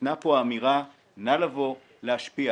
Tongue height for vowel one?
low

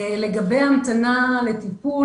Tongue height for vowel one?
mid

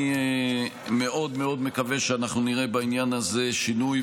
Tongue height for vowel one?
mid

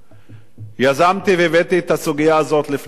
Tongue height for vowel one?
low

